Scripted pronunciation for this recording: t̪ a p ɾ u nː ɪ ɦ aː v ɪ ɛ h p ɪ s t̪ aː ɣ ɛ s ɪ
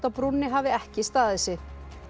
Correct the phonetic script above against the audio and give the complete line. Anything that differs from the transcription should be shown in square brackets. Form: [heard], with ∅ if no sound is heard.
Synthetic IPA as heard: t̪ a p ɾ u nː ɪ ɦ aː v ɪ ɛ h [c] ɪ s t̪ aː [ð] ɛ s ɪ